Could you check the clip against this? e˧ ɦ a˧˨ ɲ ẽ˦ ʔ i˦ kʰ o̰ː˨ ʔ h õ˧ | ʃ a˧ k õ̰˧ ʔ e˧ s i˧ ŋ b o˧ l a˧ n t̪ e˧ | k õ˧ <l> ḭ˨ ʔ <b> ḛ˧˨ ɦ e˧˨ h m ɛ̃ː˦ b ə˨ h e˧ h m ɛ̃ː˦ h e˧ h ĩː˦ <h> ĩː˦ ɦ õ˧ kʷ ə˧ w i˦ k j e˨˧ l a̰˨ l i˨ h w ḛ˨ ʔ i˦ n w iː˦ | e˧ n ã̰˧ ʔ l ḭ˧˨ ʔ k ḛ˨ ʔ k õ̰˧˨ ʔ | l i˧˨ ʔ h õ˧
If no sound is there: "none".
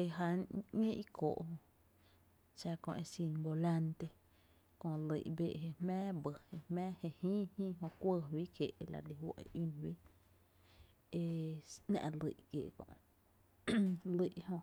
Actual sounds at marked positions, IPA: l, b, h

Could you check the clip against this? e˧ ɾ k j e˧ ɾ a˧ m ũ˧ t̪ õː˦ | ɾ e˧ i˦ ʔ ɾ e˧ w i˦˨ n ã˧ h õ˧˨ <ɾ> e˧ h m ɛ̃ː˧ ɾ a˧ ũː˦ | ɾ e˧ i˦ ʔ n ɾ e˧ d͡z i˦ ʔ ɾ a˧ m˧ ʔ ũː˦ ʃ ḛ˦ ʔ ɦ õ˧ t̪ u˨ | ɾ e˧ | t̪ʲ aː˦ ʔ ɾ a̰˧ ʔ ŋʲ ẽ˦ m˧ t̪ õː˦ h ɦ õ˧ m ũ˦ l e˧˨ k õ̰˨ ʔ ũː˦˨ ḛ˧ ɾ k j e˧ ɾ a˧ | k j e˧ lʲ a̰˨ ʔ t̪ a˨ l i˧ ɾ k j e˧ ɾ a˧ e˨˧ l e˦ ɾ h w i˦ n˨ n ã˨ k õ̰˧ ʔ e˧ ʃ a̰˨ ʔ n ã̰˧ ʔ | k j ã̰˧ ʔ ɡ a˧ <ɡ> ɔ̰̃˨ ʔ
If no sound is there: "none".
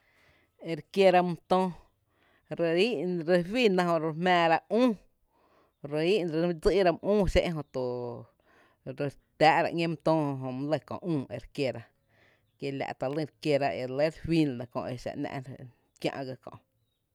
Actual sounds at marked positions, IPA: ɾ, k

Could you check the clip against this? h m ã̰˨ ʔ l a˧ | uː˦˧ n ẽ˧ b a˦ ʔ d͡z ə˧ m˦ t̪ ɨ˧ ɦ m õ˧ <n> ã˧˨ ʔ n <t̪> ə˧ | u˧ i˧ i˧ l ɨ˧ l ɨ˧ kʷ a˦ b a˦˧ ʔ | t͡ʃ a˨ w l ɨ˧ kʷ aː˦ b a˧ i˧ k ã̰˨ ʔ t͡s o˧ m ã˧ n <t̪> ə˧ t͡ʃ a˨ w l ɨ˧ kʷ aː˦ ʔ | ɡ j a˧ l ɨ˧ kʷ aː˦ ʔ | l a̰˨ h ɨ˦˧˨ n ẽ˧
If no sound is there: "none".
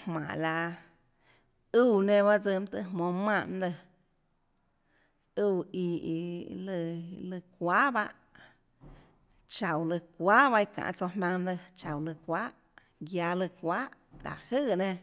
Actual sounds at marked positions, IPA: m, d̪, d̪

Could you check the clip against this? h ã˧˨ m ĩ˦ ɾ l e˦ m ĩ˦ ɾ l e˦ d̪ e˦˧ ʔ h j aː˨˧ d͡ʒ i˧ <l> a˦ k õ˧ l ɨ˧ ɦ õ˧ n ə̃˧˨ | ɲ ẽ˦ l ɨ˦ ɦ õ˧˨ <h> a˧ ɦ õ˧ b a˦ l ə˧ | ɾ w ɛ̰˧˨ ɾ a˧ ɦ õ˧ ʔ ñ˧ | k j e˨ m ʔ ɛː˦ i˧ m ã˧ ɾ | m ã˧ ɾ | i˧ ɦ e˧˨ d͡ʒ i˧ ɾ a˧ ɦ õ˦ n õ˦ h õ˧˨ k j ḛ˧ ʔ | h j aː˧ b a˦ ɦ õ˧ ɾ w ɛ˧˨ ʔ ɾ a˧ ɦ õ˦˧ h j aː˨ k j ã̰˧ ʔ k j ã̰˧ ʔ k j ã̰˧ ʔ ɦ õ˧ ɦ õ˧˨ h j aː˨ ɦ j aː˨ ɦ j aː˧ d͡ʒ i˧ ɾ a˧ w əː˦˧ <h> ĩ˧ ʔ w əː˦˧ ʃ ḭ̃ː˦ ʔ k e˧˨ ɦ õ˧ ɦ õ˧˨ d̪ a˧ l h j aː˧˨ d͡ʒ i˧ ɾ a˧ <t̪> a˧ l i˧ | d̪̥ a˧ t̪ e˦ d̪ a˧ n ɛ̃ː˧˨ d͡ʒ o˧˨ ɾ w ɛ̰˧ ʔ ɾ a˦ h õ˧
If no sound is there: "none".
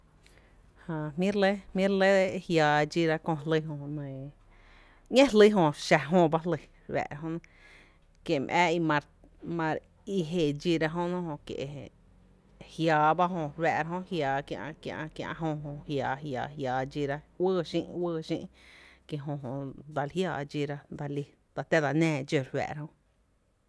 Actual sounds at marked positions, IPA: ɾ, ʃ, ʃ, d̪

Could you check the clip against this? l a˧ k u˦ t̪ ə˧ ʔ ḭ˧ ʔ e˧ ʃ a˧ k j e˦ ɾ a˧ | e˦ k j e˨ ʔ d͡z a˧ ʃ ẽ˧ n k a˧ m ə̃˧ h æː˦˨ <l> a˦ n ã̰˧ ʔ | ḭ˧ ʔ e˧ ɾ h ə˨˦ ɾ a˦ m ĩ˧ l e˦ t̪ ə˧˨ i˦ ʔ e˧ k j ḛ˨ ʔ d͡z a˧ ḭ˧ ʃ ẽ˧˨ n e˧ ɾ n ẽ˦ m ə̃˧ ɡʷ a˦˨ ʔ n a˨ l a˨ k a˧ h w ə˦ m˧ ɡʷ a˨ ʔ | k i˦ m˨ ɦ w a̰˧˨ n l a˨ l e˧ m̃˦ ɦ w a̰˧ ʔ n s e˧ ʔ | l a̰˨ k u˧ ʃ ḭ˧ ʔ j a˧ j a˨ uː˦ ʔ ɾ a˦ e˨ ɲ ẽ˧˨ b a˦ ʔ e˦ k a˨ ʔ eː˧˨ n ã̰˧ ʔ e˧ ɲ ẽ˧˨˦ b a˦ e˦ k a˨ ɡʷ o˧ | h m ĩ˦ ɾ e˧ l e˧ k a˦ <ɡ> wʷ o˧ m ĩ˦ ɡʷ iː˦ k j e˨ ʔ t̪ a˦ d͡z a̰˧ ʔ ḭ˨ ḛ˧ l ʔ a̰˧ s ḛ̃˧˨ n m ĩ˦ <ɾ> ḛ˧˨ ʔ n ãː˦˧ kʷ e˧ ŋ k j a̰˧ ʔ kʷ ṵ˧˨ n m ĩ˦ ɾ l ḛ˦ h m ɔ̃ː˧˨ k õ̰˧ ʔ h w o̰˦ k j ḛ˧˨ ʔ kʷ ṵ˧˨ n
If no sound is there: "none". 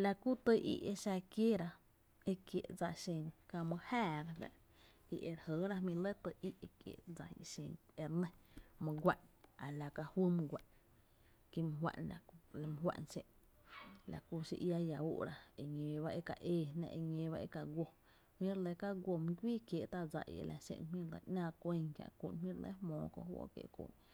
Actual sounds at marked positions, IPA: ɾ, ɡ, l

